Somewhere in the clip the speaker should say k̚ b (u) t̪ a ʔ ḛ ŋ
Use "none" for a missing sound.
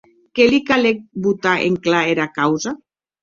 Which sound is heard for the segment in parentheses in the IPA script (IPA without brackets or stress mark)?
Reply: u